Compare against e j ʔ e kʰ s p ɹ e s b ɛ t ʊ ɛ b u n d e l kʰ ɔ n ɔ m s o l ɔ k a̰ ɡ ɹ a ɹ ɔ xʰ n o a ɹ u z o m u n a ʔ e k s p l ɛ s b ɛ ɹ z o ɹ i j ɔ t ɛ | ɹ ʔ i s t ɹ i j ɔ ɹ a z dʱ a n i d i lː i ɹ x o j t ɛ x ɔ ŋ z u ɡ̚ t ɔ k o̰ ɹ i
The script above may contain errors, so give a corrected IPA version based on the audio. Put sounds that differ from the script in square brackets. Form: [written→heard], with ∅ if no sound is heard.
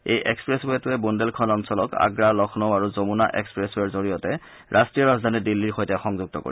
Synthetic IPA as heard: e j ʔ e [kʰ→k] s p ɹ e s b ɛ t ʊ ɛ b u n d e l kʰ ɔ n ɔ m s [o→ɔ] l ɔ k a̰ ɡ ɹ a [ɹ→l] ɔ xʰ n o a ɹ u z o m u n a ʔ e k s p [l→ɹ] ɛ s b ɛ ɹ z o ɹ i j ɔ t ɛ | ɹ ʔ [i→a] s t ɹ i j ɔ ɹ a z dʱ a n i d i lː i ɹ x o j t ɛ x ɔ ŋ z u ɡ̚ t ɔ k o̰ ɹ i